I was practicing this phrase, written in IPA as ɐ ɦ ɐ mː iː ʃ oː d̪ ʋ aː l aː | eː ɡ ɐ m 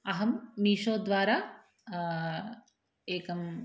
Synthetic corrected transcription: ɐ ɦ ɐ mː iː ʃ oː d̪ ʋ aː ɾ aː | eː k ɐ m